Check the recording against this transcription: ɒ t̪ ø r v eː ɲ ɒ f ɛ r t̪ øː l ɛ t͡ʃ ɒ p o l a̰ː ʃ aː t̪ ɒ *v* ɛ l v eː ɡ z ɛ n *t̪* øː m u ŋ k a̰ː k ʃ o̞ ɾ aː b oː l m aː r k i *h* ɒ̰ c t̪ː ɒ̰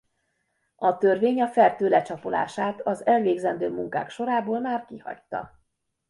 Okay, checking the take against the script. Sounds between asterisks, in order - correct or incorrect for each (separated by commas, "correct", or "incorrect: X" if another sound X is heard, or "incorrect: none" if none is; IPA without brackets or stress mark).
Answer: incorrect: z, incorrect: d̪, correct